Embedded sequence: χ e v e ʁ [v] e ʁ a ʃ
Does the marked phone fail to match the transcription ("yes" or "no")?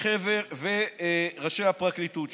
no